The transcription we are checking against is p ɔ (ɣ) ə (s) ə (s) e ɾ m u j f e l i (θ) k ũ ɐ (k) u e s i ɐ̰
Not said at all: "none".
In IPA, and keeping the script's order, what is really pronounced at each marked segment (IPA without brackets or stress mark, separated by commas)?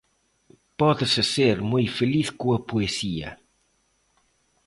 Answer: ð, s, s, θ, p